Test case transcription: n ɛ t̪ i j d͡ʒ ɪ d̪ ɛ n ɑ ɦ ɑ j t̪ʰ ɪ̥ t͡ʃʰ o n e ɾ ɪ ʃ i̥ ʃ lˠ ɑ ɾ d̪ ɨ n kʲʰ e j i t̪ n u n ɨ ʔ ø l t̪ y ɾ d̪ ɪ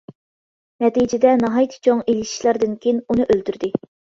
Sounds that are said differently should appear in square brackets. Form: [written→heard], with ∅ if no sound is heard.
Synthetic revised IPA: n ɛ t̪ i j d͡ʒ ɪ d̪ ɛ n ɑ ɦ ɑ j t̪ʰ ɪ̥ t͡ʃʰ o [n→ŋ] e [ɾ→l] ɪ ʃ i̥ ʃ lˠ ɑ ɾ d̪ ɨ n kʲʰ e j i [t̪→∅] n u n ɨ ʔ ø l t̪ y ɾ d̪ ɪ